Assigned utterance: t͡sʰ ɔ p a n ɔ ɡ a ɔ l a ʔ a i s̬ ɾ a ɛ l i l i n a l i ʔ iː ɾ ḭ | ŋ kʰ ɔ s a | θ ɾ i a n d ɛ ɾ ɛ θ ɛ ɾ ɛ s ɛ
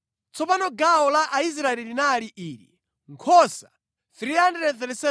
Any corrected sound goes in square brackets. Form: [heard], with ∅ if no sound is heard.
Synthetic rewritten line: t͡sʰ ɔ p a n ɔ ɡ a ɔ l a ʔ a i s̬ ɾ a ɛ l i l i n a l i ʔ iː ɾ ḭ | ŋ kʰ ɔ s a | θ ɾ i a n d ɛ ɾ ɛ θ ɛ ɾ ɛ s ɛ